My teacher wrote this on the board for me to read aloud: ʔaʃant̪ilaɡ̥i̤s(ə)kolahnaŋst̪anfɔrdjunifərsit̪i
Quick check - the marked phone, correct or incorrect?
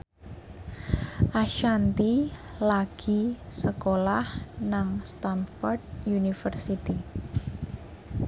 correct